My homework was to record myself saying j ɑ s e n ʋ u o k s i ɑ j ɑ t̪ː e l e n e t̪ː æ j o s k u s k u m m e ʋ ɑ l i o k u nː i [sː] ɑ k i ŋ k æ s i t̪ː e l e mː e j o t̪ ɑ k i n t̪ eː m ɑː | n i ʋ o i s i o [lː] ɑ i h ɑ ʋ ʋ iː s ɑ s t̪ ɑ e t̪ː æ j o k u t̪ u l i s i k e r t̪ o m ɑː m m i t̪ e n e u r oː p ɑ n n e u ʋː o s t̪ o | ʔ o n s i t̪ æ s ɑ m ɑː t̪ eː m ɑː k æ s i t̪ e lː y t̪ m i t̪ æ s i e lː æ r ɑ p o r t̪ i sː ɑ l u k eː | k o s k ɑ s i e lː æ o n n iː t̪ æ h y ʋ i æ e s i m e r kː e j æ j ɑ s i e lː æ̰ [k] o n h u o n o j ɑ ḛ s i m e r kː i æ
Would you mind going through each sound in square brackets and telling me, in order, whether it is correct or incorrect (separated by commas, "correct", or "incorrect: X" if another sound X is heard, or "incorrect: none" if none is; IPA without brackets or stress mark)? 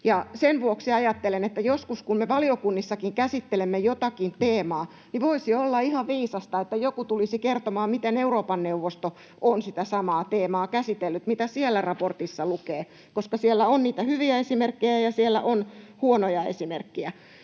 correct, correct, incorrect: ʔ